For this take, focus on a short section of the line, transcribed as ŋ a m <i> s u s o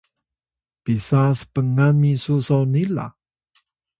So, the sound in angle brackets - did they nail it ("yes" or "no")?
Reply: yes